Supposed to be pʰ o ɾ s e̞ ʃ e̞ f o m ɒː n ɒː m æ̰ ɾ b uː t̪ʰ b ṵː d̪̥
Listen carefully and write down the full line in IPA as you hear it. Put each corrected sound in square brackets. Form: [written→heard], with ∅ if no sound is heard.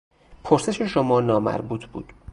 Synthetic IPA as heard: pʰ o ɾ s e̞ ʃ e̞ [f→ʃ] o m ɒː n ɒː m æ̰ ɾ b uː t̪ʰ b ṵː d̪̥